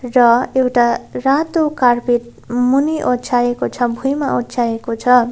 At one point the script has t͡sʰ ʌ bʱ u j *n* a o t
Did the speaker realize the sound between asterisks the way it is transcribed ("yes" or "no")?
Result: no